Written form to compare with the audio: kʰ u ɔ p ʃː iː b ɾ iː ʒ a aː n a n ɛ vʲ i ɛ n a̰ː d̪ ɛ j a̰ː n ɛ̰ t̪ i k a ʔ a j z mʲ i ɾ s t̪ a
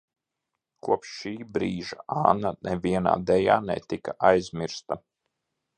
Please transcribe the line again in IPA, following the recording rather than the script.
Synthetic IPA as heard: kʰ u ɔ p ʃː iː b ɾ iː ʒ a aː n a n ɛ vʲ i ɛ n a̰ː d̪ ɛ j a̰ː n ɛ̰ t̪ i k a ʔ a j z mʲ i ɾ s t̪ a